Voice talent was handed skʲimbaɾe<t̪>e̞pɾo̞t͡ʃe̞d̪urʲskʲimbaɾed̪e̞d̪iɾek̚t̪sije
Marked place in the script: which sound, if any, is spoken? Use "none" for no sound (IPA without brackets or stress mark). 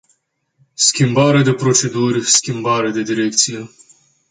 d̪